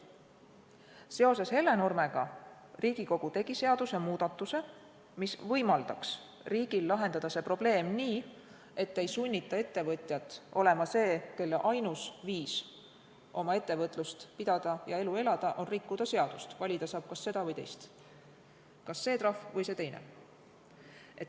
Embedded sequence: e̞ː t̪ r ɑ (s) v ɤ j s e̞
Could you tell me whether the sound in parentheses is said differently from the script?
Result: yes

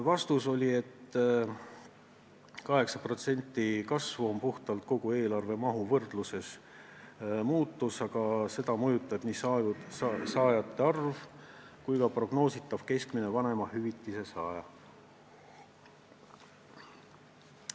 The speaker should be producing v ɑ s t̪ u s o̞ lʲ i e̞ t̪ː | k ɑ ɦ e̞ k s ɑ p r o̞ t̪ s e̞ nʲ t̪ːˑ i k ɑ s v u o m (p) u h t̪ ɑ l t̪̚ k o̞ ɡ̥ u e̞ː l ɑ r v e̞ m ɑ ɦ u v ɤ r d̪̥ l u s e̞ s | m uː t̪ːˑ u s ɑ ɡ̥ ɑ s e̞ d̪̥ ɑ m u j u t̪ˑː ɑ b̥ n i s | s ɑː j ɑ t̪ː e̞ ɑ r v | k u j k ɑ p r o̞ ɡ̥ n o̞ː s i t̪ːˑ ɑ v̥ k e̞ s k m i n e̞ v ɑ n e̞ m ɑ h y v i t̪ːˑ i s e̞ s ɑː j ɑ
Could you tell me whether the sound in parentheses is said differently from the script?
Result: no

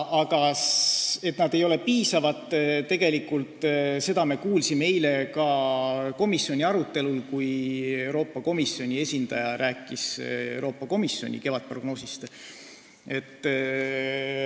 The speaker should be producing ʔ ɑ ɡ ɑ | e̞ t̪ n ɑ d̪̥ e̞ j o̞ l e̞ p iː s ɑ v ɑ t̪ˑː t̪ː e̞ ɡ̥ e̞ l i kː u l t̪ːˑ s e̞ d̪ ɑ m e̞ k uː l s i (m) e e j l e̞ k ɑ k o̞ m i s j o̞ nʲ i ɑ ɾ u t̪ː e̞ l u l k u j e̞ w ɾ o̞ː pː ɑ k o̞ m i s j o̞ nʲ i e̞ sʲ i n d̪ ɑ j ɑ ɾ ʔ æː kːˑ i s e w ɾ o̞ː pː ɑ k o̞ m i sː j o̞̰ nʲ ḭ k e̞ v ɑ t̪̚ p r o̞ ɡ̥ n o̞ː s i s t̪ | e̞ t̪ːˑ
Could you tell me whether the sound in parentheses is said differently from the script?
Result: no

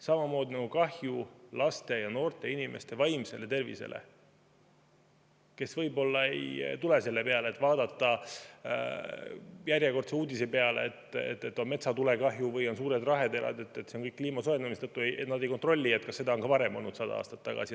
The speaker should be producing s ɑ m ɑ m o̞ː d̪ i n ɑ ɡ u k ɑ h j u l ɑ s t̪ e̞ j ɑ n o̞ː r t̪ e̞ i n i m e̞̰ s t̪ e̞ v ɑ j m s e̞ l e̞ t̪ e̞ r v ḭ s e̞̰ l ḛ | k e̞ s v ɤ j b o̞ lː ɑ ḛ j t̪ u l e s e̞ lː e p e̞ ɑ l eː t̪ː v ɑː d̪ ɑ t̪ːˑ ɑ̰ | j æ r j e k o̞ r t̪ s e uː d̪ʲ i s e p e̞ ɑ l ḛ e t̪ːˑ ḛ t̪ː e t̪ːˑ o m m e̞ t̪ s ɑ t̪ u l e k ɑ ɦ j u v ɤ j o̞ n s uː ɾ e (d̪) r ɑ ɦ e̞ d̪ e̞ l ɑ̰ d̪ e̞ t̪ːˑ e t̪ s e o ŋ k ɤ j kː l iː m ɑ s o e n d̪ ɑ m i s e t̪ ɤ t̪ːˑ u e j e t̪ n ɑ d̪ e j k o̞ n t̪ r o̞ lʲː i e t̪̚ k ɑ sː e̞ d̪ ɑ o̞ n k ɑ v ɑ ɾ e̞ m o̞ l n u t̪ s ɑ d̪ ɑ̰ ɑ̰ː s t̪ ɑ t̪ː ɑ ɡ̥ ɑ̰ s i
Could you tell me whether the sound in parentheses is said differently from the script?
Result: no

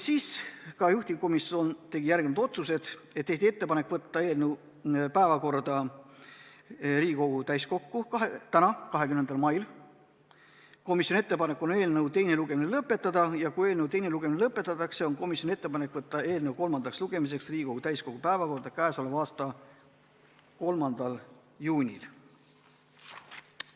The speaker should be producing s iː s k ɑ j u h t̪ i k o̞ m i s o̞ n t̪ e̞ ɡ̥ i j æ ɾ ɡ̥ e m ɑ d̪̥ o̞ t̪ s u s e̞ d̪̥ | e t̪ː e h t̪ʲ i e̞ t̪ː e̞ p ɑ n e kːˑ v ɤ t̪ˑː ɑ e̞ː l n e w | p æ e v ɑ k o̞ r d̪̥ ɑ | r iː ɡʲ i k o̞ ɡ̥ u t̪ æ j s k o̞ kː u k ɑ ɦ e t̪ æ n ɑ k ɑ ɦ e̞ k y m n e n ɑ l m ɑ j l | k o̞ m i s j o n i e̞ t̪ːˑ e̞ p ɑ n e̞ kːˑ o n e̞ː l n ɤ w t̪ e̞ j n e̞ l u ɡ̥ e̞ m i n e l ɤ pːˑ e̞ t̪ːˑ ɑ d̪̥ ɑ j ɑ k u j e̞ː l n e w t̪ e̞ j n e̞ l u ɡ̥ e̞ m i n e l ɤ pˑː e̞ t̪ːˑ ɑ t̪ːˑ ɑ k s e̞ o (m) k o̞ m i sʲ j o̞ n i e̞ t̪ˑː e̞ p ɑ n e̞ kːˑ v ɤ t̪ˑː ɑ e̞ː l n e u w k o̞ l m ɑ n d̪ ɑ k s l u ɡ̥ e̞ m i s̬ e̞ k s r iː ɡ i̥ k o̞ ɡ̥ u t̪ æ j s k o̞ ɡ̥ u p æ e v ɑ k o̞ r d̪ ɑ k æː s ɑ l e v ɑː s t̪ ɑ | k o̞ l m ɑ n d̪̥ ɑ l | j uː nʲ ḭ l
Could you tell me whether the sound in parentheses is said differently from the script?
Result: yes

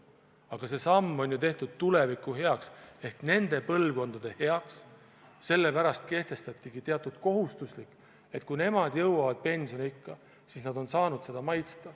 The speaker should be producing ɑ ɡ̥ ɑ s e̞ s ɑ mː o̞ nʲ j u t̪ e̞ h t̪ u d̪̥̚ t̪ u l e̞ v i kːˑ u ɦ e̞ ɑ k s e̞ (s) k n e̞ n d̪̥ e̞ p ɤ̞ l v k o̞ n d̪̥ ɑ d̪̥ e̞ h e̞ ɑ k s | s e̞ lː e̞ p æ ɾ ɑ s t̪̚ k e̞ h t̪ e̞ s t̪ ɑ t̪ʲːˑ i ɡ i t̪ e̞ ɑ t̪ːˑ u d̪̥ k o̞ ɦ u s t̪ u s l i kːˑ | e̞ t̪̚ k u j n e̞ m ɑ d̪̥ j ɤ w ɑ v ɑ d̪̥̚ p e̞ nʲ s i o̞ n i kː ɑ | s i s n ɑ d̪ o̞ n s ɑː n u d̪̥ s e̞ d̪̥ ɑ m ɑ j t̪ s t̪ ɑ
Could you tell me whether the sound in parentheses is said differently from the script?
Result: yes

